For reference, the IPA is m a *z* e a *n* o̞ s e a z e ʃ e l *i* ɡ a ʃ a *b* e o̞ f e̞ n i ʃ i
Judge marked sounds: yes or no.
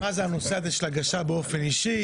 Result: yes, yes, no, yes

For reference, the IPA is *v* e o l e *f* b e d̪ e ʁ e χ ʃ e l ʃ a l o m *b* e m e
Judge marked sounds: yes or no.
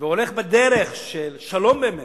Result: yes, no, yes

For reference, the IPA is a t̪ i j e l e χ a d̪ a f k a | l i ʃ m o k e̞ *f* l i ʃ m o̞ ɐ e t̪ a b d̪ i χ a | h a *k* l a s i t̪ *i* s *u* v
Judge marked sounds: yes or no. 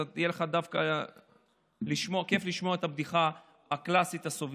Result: yes, yes, no, no

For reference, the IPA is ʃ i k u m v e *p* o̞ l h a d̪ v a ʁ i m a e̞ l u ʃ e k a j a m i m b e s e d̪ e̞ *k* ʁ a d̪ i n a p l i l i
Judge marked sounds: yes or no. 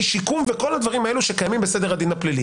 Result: no, no

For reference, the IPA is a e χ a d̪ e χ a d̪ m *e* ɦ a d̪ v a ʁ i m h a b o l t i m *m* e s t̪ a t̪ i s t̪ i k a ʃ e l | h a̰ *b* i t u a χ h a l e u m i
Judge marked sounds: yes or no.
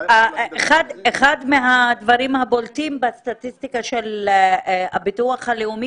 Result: yes, no, yes

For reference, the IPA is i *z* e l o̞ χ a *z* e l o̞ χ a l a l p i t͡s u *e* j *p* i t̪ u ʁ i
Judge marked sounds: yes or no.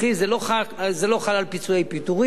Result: yes, yes, yes, yes

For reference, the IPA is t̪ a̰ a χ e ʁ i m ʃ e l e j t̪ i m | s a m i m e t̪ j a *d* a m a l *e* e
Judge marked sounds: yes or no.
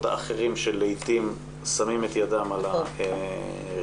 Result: yes, no

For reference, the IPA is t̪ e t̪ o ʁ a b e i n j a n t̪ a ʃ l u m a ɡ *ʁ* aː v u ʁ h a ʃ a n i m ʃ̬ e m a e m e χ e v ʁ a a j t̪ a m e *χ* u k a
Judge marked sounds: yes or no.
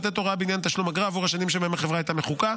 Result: yes, yes

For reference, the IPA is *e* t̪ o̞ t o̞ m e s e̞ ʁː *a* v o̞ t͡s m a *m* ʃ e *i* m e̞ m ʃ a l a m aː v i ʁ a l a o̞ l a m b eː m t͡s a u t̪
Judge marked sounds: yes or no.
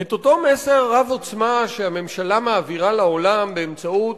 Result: yes, yes, no, no

